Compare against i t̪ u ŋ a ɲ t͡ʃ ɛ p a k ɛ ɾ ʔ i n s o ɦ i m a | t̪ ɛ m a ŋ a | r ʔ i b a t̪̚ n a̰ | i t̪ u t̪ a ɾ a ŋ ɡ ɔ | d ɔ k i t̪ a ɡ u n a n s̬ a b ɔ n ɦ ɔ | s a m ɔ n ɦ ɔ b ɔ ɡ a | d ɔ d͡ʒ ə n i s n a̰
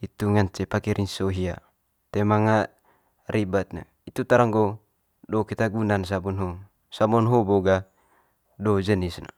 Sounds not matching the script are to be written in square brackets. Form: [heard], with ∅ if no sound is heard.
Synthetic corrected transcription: i t̪ u ŋ a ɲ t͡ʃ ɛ p a k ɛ ɾ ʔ i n s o ɦ i [∅] a | t̪ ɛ m a ŋ a | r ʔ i b a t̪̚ n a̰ | i t̪ u t̪ a ɾ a ŋ ɡ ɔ | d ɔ k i t̪ a ɡ u n a n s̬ a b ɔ n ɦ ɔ | s a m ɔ n ɦ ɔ b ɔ ɡ a | d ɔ d͡ʒ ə n i s n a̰